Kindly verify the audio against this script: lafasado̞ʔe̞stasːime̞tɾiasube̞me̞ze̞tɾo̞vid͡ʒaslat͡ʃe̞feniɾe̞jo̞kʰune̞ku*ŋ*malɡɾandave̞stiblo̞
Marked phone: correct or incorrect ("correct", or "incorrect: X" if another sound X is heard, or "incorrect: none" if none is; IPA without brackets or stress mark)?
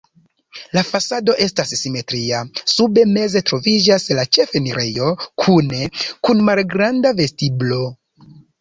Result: incorrect: n